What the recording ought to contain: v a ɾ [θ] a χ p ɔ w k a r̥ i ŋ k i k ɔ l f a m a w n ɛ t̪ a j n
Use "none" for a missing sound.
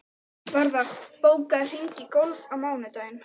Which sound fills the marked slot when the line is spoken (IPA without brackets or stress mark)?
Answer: ð